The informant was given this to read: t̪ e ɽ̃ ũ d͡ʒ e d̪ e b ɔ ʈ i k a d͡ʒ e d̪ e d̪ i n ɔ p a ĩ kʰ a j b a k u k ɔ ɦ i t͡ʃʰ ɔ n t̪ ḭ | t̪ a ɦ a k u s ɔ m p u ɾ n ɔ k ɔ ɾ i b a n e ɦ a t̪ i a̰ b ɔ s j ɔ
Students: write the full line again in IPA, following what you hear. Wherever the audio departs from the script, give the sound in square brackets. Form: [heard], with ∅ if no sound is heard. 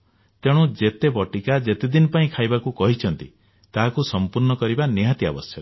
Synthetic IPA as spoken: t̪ e ɽ̃ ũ d͡ʒ e [t̪] e b ɔ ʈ i k a d͡ʒ e [t̪] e d̪ i n ɔ p a ĩ kʰ a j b a k u k ɔ ɦ i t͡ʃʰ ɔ n t̪ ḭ | t̪ a ɦ a k u s ɔ m p u ɾ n ɔ k ɔ ɾ i b a n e ɦ a t̪ i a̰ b ɔ s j ɔ